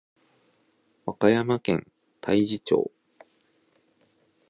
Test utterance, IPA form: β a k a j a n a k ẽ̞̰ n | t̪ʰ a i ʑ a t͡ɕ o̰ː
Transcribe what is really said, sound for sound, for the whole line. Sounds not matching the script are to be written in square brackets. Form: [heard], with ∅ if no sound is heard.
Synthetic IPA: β a k a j a [m] a k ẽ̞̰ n | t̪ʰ a i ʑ [i] t͡ɕ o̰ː

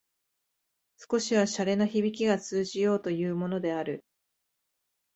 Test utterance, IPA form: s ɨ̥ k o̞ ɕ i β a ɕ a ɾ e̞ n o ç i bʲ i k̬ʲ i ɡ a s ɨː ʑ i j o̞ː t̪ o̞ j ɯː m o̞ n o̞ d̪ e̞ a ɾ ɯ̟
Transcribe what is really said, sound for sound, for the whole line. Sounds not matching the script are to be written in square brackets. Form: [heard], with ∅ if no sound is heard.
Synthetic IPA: s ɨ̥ k o̞ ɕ i β a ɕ a ɾ e̞ n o ç i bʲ i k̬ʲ i ɡ a [t͡s] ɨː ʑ i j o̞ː t̪ o̞ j ɯː m o̞ n o̞ d̪ e̞ a ɾ ɯ̟

